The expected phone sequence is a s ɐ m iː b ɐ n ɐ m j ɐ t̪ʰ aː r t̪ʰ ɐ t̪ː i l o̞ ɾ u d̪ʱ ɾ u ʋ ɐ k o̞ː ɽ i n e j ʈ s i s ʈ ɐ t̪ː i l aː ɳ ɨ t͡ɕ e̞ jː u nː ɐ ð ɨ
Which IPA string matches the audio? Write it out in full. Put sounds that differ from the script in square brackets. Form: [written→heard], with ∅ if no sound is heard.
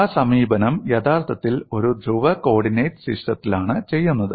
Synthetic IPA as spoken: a s ɐ m iː b ɐ n ɐ m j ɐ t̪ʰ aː r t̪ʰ ɐ t̪ː i l o̞ ɾ u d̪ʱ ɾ u ʋ ɐ k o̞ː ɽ i n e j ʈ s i [s→ʂ] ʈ ɐ t̪ː i l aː ɳ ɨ t͡ɕ e̞ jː u nː ɐ ð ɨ